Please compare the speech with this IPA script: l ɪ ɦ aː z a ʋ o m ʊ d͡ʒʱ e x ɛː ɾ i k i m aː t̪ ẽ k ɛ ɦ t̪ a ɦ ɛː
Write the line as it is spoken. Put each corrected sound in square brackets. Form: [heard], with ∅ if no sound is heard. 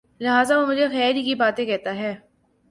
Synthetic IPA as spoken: l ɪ ɦ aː z a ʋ o m ʊ d͡ʒʱ e x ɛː ɾ i k i [b] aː t̪ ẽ k ɛ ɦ t̪ a ɦ ɛː